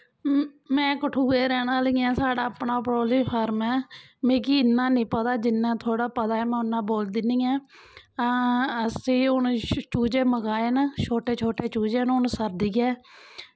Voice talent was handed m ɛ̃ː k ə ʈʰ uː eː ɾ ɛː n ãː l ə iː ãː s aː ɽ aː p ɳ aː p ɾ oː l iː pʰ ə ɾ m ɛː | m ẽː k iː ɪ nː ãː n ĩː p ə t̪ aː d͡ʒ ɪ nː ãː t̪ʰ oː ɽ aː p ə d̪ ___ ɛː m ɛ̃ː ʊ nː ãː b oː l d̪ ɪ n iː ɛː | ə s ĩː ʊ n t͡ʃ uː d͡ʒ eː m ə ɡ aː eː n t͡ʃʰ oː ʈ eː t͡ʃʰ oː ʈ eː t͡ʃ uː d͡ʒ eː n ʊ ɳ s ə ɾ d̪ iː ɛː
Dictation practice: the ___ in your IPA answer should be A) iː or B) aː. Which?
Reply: B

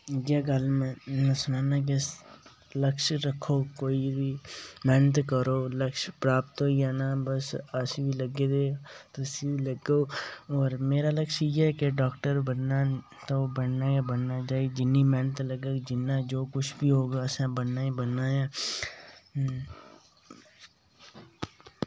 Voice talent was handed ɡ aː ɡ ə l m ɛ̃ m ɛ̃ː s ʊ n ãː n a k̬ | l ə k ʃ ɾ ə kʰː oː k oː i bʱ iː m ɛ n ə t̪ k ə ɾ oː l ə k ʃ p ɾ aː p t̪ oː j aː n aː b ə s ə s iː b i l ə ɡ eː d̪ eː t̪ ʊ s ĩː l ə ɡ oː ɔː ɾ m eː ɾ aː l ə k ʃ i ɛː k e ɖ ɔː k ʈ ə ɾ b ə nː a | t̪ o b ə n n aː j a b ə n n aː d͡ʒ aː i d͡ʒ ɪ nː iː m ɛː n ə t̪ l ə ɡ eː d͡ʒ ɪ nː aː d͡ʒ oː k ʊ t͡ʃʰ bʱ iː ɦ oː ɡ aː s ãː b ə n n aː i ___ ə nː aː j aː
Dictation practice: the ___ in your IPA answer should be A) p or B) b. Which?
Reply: B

